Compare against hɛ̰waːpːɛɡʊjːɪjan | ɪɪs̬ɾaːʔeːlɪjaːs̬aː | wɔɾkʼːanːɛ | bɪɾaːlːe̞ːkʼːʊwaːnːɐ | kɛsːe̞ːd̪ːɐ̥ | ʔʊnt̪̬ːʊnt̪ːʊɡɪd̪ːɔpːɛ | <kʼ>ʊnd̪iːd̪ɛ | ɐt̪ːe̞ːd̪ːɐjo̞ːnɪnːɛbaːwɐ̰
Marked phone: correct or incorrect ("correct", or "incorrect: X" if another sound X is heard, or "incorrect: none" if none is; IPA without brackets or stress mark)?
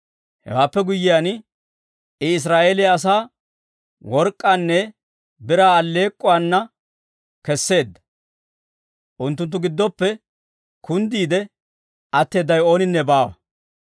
incorrect: k